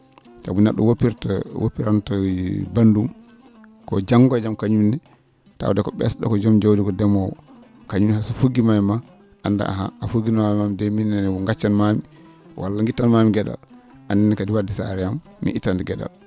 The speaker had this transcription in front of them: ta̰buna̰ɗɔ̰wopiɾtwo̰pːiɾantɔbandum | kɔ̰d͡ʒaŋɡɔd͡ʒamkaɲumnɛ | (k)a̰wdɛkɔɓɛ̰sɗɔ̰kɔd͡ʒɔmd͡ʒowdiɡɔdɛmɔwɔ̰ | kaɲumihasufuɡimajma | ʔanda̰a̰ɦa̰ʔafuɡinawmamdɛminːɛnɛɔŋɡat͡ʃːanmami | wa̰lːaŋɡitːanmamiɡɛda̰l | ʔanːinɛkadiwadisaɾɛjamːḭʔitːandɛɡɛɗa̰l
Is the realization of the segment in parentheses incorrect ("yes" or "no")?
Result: yes